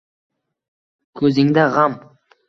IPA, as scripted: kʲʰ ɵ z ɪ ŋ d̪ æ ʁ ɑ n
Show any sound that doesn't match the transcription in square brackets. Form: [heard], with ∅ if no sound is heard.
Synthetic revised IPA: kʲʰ ɵ z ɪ ŋ d̪ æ ʁ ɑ [m]